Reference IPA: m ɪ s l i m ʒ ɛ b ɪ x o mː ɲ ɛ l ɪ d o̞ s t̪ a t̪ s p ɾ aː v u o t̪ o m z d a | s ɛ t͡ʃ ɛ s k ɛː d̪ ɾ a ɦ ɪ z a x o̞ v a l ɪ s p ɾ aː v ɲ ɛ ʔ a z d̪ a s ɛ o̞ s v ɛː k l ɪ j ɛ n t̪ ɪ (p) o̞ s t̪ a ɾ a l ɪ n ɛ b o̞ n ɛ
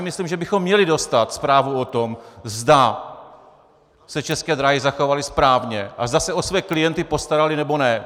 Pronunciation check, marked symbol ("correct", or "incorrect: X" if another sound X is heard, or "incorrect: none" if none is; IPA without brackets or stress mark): correct